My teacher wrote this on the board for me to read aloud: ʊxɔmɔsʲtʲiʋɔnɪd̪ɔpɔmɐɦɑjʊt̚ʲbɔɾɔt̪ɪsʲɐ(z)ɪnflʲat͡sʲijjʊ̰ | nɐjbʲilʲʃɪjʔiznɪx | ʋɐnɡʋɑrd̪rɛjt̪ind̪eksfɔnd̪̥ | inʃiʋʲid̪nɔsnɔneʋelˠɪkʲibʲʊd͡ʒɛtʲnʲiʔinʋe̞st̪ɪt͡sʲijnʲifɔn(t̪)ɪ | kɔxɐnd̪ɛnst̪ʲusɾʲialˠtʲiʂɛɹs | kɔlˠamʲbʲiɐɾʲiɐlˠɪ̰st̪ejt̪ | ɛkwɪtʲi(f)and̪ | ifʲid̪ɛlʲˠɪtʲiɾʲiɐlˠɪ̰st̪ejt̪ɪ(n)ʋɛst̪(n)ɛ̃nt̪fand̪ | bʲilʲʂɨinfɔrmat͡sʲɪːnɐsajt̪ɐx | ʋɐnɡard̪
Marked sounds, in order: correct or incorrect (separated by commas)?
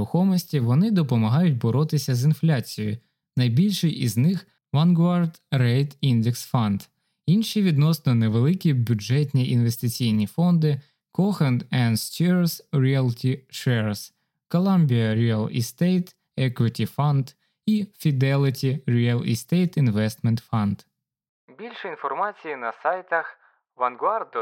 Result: correct, incorrect, correct, correct, incorrect